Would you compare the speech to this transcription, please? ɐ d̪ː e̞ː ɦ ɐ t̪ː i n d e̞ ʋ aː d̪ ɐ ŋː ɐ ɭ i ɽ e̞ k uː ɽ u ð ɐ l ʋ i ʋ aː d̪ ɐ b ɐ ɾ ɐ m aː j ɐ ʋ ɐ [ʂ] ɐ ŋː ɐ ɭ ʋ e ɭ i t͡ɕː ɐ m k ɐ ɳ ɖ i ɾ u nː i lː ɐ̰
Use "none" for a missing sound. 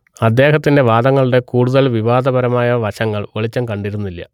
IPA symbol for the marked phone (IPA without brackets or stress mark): ɕ